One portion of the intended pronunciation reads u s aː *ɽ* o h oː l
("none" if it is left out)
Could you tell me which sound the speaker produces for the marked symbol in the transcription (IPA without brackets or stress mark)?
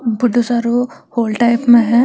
ɾ